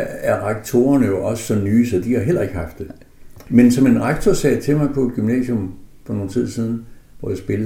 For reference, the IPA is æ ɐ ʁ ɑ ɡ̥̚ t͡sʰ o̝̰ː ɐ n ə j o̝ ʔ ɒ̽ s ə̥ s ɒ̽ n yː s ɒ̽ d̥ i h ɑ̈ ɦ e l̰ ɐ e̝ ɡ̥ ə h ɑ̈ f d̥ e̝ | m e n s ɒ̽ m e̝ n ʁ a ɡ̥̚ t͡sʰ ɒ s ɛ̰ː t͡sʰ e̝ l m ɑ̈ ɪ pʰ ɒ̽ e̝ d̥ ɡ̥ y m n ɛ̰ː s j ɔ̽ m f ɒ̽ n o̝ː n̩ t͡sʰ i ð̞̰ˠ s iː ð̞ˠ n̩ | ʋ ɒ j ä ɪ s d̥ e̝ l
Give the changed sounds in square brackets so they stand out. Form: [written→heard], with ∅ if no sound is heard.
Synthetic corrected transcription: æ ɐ ʁ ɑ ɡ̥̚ t͡sʰ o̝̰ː ɐ n ə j o̝ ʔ ɒ̽ s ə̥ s ɒ̽ n yː s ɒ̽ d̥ i h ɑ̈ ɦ e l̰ ɐ e̝ ɡ̥ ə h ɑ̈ f d̥ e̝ | m e n s ɒ̽ m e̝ n ʁ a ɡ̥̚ t͡sʰ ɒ s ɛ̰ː t͡sʰ e̝ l m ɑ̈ ɪ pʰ ɒ̽ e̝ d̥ ɡ̥ y m n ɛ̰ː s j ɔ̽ m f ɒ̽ n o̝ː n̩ t͡sʰ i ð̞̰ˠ s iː ð̞ˠ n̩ | ʋ ɒ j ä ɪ s [d̥→b̥] e̝ l